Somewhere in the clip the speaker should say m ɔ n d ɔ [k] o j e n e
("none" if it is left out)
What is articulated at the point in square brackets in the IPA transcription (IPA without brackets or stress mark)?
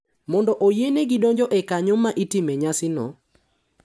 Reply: ʔ